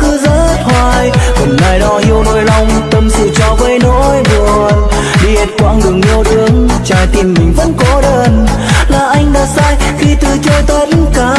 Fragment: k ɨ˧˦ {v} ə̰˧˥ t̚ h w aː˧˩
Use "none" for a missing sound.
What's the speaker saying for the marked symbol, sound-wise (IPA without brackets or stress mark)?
z